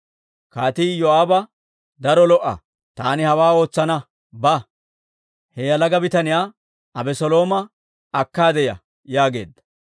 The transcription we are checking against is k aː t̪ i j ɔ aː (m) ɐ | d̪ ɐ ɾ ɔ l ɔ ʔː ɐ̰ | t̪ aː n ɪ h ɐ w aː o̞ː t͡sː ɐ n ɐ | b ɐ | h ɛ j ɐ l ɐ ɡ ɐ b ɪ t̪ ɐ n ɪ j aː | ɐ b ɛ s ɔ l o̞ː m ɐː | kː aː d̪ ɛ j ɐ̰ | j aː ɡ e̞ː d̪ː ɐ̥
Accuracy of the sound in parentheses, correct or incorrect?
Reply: incorrect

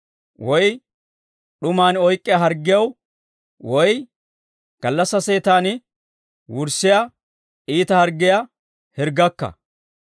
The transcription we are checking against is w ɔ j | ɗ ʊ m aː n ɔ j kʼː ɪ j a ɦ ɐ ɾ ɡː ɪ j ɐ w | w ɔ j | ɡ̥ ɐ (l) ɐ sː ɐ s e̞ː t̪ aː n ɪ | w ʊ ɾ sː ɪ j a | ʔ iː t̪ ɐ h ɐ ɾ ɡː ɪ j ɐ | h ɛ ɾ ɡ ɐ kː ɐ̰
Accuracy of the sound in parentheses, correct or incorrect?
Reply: incorrect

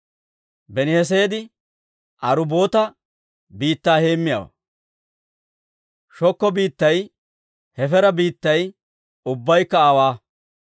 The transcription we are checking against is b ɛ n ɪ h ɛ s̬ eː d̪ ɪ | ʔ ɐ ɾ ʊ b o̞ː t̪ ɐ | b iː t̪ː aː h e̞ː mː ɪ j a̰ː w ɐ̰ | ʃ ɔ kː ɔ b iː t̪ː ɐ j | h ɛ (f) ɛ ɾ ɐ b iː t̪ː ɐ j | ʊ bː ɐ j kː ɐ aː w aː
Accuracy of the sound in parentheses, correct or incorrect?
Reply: correct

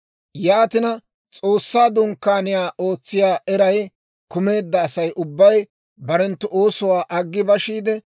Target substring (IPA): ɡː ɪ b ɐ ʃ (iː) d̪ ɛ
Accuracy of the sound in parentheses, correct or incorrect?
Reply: correct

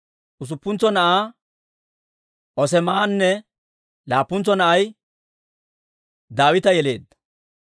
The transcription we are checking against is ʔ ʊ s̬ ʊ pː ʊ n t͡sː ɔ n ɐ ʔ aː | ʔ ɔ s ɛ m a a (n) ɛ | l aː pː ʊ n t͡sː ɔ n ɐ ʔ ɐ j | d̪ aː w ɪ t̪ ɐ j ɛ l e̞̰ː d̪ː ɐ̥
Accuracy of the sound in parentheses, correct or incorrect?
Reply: incorrect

